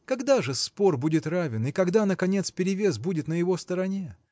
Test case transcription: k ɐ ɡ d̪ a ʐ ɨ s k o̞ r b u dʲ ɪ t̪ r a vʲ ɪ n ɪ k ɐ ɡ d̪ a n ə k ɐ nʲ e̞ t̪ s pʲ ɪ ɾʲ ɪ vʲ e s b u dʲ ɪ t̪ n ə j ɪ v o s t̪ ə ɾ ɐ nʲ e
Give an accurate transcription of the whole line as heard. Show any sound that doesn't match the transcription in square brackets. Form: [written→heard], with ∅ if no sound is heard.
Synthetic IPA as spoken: k ɐ ɡ d̪ a ʐ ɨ s [k→p] o̞ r b u dʲ ɪ t̪ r a vʲ ɪ n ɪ k ɐ ɡ d̪ a n ə k ɐ nʲ e̞ t̪ s pʲ ɪ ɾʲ ɪ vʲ e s b u dʲ ɪ t̪ n ə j ɪ v o s t̪ ə ɾ ɐ nʲ e